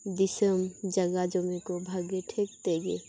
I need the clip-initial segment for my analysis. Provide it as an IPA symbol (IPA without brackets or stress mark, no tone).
d̪